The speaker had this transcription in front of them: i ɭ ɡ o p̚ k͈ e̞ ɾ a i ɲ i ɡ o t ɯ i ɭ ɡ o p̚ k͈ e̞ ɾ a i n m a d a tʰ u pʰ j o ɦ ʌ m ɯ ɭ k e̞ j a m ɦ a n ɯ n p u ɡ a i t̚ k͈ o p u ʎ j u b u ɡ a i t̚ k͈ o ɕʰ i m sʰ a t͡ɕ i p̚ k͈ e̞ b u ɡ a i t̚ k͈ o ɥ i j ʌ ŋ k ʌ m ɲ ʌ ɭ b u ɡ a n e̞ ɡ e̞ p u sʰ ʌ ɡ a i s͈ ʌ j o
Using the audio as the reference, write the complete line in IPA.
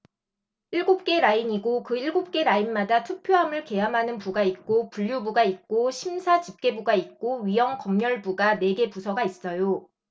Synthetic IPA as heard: i ɭ ɡ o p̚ k͈ e̞ ɾ a i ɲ i ɡ o k ɯ i ɭ ɡ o p̚ k͈ e̞ ɾ a i n m a d a tʰ u pʰ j o ɦ a m ɯ ɭ k e̞ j a m ɦ a n ɯ n p u ɡ a i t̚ k͈ o p u ʎ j u b u ɡ a i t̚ k͈ o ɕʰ i m sʰ a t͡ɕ i p̚ k͈ e̞ b u ɡ a i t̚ k͈ o ɥ i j ʌ ŋ k ʌ m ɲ ʌ ɭ b u ɡ a n e̞ ɡ e̞ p u sʰ ʌ ɡ a i s͈ ʌ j o